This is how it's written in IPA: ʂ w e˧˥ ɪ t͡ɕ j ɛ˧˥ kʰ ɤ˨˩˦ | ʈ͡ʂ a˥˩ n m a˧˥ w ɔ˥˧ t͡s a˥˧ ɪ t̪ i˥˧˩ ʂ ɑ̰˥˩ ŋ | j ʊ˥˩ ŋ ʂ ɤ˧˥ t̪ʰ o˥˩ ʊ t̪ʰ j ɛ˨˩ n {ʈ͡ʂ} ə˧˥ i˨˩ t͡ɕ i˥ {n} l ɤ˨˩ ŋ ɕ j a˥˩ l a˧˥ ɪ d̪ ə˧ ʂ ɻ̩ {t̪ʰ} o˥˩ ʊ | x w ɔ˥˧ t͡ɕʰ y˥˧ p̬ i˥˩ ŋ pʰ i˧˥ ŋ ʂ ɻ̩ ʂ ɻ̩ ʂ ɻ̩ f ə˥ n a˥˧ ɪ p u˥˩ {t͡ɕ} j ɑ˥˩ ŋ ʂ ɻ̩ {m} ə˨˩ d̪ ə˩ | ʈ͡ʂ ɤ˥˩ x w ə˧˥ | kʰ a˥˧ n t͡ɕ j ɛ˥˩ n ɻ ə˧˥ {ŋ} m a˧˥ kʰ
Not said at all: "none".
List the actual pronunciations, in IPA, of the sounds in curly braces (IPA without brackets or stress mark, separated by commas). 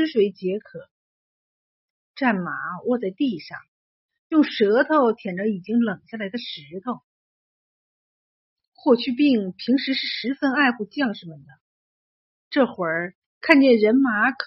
ʈ͡ʂ, ŋ, t̪ʰ, t͡ɕ, m, n